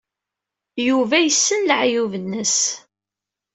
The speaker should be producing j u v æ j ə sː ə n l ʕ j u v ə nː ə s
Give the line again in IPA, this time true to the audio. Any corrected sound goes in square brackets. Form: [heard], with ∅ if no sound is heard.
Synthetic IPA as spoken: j u v æ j ə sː ə n l ʕ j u v ə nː ə s